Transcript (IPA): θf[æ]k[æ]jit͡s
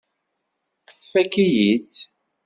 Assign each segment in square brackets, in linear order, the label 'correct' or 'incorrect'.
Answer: correct, incorrect: i

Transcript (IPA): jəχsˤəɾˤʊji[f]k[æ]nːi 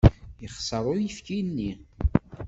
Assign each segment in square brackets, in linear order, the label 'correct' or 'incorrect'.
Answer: correct, incorrect: i

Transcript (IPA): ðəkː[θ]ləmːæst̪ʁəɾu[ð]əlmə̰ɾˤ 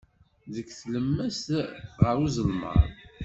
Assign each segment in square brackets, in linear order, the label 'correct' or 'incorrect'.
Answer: correct, incorrect: z

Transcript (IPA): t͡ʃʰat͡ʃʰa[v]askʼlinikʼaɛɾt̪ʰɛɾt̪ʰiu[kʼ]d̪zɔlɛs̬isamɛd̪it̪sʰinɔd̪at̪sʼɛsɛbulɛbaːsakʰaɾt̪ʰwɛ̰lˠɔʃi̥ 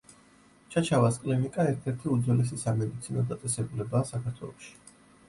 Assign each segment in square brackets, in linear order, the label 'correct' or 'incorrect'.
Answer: correct, incorrect: none

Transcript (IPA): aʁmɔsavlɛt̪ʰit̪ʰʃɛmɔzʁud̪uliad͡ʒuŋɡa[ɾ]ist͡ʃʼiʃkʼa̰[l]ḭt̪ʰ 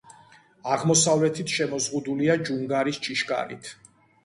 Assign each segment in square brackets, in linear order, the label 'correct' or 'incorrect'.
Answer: correct, incorrect: ɾ

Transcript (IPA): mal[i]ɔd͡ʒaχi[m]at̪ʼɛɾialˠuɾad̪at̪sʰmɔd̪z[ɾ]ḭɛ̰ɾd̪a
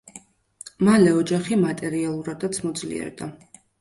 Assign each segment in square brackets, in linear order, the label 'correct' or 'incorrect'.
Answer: incorrect: ɛ, correct, incorrect: l

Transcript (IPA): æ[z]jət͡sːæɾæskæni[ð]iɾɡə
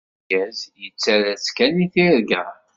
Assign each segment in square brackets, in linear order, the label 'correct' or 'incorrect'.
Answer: correct, incorrect: θ

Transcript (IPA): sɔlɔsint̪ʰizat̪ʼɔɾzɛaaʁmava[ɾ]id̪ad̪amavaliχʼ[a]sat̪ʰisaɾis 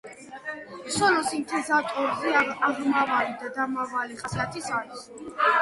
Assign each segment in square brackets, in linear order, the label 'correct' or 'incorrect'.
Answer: incorrect: l, correct

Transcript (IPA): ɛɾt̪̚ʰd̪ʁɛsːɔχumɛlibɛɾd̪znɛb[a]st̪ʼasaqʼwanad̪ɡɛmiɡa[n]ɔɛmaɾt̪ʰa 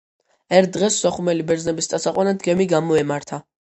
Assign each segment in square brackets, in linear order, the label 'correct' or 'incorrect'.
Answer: incorrect: i, incorrect: m

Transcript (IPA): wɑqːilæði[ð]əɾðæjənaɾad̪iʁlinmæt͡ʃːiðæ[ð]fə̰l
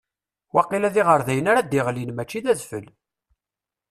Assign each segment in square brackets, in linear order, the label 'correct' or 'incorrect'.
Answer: incorrect: ʁ, correct

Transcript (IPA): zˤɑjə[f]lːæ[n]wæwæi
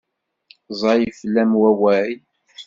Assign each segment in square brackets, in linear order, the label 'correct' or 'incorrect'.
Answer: correct, incorrect: m

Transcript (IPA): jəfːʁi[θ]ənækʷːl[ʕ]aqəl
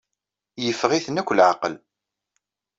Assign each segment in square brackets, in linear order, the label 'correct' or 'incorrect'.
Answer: correct, correct

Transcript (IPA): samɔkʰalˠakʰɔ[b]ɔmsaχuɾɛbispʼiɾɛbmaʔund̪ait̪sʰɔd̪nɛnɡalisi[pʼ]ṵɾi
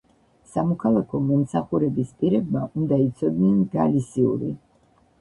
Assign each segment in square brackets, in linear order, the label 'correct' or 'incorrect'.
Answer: incorrect: m, incorrect: none

